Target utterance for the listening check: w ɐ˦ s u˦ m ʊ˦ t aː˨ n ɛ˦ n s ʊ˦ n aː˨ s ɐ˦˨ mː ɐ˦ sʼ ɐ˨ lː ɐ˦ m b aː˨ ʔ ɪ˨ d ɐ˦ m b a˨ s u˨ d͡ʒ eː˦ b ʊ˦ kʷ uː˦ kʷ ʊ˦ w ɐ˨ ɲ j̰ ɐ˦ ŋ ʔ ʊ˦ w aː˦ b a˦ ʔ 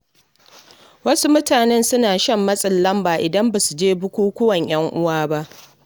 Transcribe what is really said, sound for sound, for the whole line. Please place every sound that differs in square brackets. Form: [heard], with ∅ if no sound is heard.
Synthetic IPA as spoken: w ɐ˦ s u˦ m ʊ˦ t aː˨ n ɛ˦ n s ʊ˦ n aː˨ [ʃ] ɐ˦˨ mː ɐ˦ sʼ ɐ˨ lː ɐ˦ m b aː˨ ʔ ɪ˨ d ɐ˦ m b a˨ s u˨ d͡ʒ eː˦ b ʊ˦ kʷ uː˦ kʷ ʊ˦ w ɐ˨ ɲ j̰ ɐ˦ ŋ ʔ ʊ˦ w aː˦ b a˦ ʔ